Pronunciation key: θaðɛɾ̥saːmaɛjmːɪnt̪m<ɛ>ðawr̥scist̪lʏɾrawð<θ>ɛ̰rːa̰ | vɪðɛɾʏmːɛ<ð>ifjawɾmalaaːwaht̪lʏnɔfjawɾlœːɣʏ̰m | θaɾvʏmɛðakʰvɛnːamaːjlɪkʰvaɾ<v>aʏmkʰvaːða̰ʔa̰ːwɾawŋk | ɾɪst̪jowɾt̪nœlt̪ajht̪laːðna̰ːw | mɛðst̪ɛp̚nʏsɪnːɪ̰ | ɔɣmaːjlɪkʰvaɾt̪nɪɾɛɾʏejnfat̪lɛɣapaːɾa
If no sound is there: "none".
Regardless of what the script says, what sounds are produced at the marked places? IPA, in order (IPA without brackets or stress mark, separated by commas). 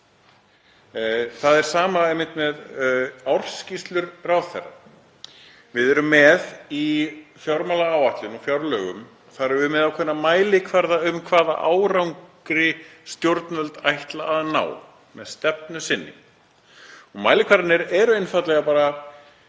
ɛ, θ, ð, ð